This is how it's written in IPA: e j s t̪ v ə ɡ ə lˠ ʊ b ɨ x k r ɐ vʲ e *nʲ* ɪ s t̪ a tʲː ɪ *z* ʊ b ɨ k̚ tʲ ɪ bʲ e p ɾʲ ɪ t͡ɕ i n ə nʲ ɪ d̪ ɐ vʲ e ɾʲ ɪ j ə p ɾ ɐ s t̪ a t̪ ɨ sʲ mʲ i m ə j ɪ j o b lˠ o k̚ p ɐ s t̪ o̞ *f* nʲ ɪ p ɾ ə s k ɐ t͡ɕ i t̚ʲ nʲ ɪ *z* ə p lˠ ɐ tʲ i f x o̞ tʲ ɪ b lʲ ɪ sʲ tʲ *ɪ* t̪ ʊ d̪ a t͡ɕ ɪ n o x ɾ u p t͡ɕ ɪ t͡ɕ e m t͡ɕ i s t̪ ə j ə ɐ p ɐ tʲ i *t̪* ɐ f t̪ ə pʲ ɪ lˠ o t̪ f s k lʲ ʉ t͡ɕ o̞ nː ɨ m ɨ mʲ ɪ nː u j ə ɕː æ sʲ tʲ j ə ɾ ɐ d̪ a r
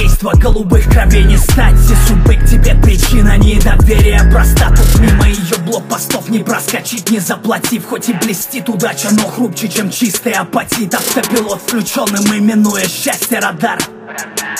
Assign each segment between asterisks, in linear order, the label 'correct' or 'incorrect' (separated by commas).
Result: correct, incorrect, correct, correct, incorrect, correct